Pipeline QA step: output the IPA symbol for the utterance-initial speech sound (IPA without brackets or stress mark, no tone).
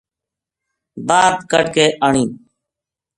b